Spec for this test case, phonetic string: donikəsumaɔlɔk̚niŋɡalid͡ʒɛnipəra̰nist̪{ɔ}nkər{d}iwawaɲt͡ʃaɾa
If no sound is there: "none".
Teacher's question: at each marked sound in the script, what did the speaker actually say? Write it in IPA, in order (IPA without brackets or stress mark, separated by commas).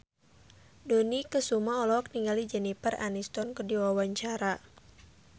ɔ, d